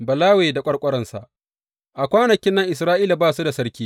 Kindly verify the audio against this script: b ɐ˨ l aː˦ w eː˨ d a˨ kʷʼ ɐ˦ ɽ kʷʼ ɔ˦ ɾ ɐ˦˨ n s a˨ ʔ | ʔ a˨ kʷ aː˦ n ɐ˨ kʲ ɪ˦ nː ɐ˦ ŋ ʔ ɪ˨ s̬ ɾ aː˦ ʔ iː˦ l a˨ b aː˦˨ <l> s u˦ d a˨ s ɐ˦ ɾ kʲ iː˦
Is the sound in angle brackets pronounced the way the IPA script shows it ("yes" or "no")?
no